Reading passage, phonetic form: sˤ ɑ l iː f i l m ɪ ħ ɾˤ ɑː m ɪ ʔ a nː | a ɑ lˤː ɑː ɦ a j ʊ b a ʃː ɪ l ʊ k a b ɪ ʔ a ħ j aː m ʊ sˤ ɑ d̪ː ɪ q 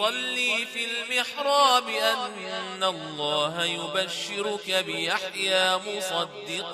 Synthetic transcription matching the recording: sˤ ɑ lː iː f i l m ɪ ħ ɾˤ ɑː b ɪ ʔ a nː | a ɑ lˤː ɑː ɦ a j ʊ b a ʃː ɪ ɾ ʊ k a b ɪ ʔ a ħ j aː m ʊ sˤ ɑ d̪ː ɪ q